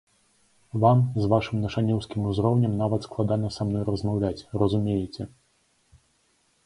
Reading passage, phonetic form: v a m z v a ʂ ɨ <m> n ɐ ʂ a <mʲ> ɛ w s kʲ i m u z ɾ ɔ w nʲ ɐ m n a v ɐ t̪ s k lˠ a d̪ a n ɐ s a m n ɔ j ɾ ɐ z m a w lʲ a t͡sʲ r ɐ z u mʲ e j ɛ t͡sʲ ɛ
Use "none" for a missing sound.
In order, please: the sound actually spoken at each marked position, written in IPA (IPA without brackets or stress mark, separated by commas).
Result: m, nʲ